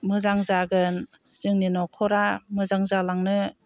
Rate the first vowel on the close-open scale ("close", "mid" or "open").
close